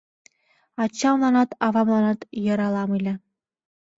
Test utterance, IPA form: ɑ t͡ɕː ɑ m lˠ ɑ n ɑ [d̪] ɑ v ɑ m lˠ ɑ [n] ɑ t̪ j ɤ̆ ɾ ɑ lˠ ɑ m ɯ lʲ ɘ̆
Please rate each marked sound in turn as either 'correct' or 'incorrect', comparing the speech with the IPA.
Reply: incorrect: t̪, correct

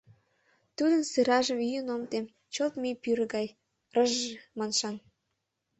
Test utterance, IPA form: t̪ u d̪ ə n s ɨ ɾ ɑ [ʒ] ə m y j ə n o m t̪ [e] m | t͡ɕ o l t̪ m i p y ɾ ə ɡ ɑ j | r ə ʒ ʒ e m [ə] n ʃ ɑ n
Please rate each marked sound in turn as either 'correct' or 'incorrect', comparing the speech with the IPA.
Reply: correct, correct, incorrect: ɑ

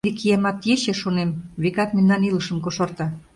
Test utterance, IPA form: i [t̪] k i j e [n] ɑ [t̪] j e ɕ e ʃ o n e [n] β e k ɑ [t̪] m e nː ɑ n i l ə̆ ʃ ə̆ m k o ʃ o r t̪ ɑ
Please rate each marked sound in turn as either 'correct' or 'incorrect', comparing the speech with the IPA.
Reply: incorrect: none, incorrect: m, correct, incorrect: m, correct

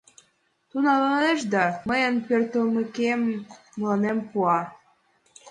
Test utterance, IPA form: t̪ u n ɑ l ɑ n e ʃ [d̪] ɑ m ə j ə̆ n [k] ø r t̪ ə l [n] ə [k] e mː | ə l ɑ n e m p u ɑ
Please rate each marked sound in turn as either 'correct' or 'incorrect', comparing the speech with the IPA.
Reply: correct, incorrect: p, incorrect: m, correct

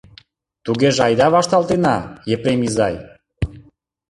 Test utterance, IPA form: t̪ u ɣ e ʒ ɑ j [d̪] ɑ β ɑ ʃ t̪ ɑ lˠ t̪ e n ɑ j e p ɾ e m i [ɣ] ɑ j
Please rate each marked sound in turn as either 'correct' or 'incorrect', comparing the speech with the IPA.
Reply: correct, incorrect: z

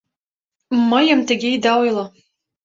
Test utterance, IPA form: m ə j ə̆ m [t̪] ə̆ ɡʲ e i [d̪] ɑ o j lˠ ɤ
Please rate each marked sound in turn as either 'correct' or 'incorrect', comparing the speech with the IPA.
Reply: correct, correct

